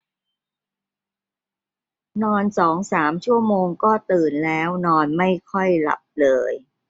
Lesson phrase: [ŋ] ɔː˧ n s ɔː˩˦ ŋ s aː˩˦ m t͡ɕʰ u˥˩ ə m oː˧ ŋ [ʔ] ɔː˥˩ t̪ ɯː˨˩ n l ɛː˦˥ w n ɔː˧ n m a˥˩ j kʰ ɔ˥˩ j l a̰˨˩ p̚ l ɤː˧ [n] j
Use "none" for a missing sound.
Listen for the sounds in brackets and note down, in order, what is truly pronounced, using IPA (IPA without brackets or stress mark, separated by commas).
n, k, none